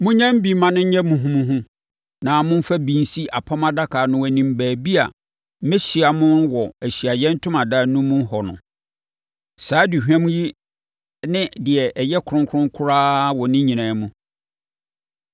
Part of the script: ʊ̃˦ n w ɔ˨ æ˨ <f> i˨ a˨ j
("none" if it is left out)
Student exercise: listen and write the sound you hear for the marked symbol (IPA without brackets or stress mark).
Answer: ɕ